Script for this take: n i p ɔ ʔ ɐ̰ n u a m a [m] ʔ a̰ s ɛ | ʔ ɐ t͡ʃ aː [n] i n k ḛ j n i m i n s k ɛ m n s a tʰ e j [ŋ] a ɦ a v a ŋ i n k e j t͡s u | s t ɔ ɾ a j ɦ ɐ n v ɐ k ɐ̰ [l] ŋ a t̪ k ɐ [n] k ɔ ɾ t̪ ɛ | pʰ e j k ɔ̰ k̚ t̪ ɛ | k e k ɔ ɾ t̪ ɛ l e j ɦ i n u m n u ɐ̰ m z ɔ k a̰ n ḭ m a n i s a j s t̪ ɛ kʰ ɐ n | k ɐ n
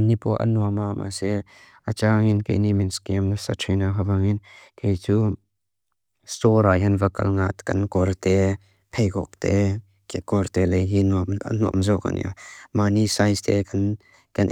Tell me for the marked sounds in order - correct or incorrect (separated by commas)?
correct, incorrect, incorrect, correct, correct